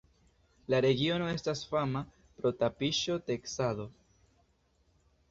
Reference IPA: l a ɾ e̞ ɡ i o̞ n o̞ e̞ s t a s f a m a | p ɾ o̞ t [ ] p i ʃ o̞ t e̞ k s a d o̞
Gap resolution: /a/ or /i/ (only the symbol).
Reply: a